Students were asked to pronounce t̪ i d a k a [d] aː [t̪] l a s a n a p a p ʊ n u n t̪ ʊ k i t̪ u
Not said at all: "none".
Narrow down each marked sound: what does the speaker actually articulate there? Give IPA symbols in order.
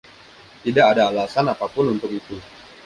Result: d, none

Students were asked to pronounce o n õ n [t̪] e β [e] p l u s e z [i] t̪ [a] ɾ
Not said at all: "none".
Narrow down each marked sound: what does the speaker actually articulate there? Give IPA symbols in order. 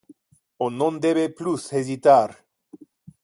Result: d̪, e, i, a

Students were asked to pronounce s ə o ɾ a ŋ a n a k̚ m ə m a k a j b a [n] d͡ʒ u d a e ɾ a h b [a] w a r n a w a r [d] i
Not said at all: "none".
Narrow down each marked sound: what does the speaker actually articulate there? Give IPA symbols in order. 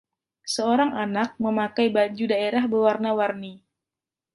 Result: ɲ, ə, n

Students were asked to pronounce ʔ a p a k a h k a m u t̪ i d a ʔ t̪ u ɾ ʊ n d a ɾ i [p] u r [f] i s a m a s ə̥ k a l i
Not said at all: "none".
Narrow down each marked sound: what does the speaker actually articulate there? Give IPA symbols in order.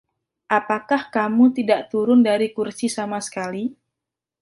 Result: k, s

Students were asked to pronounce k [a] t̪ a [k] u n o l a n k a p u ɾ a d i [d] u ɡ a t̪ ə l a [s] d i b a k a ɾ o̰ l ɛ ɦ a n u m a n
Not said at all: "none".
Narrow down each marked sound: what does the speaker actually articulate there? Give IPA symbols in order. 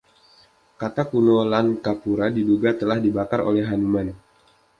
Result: a, k, d, h

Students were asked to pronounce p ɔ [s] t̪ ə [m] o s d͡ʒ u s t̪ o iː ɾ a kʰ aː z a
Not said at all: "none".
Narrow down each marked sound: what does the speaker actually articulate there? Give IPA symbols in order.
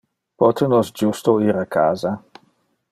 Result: none, n

